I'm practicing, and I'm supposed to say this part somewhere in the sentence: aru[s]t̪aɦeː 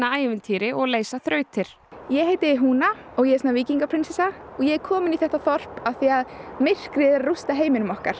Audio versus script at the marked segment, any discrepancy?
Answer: no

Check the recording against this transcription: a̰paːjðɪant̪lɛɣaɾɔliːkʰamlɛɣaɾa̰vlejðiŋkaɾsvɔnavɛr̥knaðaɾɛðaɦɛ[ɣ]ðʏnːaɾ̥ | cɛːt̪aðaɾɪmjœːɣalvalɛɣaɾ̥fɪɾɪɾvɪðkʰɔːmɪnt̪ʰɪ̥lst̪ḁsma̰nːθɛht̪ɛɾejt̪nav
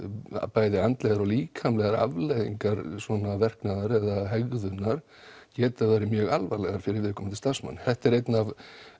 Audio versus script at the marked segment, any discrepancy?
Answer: no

